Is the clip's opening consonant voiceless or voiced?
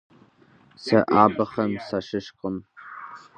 voiceless